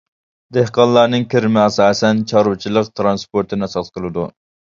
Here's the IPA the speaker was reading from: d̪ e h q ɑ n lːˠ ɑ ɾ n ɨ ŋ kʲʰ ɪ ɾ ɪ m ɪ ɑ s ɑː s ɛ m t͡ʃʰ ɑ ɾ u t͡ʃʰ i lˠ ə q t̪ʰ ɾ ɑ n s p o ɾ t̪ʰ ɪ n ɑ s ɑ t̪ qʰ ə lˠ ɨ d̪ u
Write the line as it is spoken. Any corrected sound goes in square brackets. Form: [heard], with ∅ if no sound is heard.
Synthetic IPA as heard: d̪ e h q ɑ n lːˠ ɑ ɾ n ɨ ŋ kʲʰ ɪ ɾ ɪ m ɪ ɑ s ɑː s ɛ [n] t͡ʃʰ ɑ ɾ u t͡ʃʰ i lˠ ə q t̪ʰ ɾ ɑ n s p o ɾ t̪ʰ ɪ n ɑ s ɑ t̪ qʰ ə lˠ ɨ d̪ u